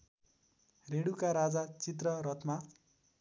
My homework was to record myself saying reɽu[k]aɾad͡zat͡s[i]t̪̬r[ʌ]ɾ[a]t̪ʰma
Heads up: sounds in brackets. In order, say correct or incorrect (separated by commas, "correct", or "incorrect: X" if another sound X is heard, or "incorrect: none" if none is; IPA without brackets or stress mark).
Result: correct, correct, correct, incorrect: ʌ